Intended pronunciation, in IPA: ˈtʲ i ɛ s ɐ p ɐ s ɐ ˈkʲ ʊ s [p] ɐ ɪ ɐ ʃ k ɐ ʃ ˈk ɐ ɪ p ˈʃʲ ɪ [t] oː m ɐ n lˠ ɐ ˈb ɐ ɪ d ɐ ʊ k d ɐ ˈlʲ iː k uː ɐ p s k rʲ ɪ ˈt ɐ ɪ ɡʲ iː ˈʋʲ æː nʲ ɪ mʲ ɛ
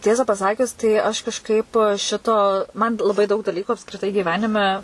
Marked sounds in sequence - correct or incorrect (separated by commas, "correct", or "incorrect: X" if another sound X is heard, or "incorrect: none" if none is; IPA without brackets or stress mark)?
incorrect: t, correct